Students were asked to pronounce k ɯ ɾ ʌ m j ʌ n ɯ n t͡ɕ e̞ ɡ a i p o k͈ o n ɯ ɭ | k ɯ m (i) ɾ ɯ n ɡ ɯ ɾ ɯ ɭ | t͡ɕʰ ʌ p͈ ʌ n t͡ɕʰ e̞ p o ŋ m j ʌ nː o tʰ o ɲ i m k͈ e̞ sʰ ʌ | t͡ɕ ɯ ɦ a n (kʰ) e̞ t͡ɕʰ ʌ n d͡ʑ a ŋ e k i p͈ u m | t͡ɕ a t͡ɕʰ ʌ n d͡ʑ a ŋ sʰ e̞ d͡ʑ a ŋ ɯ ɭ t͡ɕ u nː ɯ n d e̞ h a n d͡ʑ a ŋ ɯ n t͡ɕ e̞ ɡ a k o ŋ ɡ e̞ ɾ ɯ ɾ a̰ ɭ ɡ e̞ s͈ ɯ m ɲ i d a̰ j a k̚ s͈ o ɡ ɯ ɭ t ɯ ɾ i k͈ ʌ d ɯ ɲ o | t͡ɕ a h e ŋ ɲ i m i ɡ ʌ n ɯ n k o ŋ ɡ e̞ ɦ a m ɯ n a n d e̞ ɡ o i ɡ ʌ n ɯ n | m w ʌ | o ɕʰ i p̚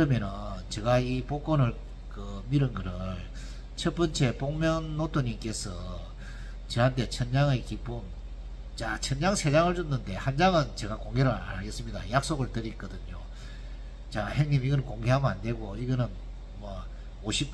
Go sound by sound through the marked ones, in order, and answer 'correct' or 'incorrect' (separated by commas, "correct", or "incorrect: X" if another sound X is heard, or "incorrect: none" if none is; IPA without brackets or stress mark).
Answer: correct, incorrect: tʰ